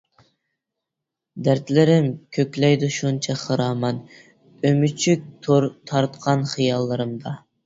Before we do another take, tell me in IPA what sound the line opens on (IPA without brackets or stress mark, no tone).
d̪